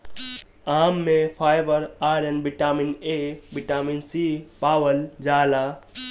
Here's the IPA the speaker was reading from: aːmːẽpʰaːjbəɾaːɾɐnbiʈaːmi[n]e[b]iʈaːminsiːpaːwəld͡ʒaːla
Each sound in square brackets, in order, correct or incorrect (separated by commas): correct, correct